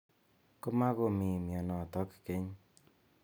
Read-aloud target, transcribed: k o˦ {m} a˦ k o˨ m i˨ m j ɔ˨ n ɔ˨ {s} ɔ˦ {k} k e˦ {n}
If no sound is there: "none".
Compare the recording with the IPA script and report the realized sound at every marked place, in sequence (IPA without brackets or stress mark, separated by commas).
m, t, k, ɲ